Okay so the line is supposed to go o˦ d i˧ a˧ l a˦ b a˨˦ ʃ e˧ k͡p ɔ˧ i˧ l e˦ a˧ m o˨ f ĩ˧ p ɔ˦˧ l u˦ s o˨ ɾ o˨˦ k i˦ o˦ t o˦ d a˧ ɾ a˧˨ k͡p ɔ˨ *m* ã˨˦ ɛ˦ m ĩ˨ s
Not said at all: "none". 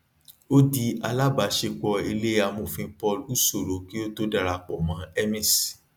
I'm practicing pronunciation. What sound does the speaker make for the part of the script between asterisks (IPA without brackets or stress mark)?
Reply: m